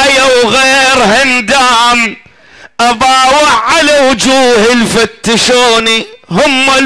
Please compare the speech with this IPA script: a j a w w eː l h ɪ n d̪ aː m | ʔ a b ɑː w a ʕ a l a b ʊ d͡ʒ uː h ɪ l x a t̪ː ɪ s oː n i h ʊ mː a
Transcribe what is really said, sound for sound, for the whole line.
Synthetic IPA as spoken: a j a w ɣ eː ɾ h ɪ n d̪ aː m | ʔ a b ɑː w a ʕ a l a w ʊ d͡ʒ uː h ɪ l f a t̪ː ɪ ʃ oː n i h ʊ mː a